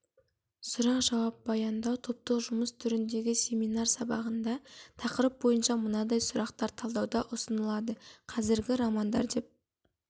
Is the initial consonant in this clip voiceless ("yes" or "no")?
yes